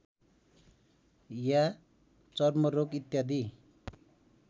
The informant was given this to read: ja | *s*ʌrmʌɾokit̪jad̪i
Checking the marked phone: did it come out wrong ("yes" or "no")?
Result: yes